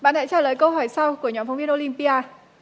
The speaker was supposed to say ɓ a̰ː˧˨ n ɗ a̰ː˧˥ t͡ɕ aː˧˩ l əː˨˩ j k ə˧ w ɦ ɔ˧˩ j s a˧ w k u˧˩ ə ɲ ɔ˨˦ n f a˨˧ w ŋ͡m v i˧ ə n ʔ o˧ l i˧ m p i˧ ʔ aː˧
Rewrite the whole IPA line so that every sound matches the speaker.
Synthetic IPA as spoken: ɓ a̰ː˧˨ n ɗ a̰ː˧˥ t͡ɕ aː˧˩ l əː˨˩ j k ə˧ w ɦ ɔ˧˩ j s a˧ w k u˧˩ ə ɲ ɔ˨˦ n f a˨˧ w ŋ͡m v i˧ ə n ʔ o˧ l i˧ m p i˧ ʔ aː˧